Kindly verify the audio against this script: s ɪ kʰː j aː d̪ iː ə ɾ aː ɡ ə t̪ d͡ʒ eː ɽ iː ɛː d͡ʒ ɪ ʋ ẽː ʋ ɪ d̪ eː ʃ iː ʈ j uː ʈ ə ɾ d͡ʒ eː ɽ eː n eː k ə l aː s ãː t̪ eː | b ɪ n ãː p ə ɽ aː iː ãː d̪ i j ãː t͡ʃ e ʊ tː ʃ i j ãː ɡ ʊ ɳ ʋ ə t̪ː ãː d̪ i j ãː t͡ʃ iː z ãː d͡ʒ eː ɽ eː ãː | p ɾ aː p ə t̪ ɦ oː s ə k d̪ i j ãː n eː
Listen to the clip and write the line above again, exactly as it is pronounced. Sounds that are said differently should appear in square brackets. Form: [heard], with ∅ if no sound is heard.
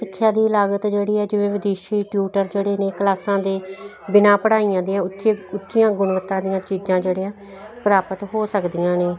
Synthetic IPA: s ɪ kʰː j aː d̪ iː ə [l] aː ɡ ə t̪ d͡ʒ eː ɽ iː ɛː d͡ʒ ɪ ʋ ẽː ʋ ɪ d̪ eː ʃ iː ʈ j uː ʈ ə ɾ d͡ʒ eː ɽ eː n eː k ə l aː s ãː [d̪] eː | b ɪ n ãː p ə ɽ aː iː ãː d̪ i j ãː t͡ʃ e ʊ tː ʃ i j ãː ɡ ʊ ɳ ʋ ə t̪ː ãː d̪ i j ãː t͡ʃ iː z ãː d͡ʒ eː ɽ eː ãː | p ɾ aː p ə t̪ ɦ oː s ə k d̪ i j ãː n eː

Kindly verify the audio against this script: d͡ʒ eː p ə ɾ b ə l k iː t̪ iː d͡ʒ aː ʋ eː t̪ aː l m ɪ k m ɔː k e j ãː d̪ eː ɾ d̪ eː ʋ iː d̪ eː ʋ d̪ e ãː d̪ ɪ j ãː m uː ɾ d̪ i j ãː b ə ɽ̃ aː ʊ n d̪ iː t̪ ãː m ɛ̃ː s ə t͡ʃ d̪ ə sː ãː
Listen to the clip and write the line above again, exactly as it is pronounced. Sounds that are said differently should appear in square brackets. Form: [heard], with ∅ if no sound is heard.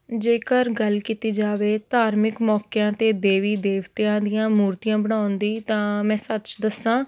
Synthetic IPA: d͡ʒ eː [k] ə ɾ [ɡ] ə l k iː t̪ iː d͡ʒ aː ʋ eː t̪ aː [ɾ] m ɪ k m ɔː k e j ãː [t̪] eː [∅] d̪ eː ʋ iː d̪ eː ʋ [t̪] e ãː d̪ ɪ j ãː m uː ɾ [t̪] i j ãː b ə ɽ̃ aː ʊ n d̪ iː t̪ ãː m ɛ̃ː s ə t͡ʃ d̪ ə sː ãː

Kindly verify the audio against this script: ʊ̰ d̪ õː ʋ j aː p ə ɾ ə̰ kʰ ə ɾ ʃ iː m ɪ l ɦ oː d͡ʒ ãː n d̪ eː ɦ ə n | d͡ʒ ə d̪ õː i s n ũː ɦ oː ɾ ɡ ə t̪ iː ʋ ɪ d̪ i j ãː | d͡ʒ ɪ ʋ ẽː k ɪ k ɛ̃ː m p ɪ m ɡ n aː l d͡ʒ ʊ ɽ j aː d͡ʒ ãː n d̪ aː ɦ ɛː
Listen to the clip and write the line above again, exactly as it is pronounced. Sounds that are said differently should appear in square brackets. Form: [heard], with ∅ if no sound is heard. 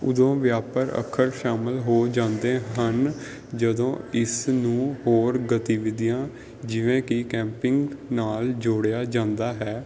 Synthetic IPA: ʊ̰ d̪ õː ʋ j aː p ə ɾ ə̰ kʰ ə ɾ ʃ [aː] m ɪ l ɦ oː d͡ʒ ãː n d̪ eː ɦ ə n | d͡ʒ ə d̪ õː [ɪ] s n ũː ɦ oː ɾ ɡ ə t̪ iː ʋ ɪ d̪ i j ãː | d͡ʒ ɪ ʋ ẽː k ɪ k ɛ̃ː m p ɪ [ŋ] ɡ n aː l d͡ʒ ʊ ɽ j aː d͡ʒ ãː n d̪ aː ɦ ɛː

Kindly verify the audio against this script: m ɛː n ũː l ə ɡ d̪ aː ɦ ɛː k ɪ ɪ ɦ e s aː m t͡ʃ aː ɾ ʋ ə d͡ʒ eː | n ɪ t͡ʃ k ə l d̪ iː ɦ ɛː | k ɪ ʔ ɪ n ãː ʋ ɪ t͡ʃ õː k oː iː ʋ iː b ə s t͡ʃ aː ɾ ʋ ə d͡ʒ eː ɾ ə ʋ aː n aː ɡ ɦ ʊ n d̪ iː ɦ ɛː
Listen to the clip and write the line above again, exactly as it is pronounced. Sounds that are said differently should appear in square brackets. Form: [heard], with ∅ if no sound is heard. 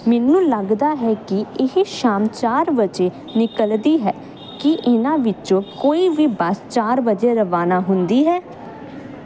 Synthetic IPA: m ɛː n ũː l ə ɡ d̪ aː ɦ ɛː k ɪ ɪ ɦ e [ʃ] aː m t͡ʃ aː ɾ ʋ ə d͡ʒ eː | n ɪ [∅] k ə l d̪ iː ɦ ɛː | k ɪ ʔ ɪ n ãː ʋ ɪ t͡ʃ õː k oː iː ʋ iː b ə s t͡ʃ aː ɾ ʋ ə d͡ʒ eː ɾ ə ʋ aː n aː [∅] ɦ ʊ n d̪ iː ɦ ɛː

